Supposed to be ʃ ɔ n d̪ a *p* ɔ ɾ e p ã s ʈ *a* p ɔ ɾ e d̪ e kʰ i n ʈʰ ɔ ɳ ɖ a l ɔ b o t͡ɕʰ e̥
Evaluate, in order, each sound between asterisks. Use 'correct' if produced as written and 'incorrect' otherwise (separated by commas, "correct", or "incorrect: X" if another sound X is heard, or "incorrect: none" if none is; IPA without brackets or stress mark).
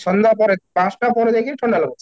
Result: correct, correct